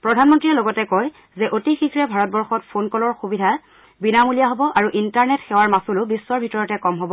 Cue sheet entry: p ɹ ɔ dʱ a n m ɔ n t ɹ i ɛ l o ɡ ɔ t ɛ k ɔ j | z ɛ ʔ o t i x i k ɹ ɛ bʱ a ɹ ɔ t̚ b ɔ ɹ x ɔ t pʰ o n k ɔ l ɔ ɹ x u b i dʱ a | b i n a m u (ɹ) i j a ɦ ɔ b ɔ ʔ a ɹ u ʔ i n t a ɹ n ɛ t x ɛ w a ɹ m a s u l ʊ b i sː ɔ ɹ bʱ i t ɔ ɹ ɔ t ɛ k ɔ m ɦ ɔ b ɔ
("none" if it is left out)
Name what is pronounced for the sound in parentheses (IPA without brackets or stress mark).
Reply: l